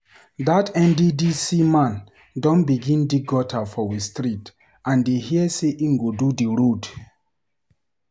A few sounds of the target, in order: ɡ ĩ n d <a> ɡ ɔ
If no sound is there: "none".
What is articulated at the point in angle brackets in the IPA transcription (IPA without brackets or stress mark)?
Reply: i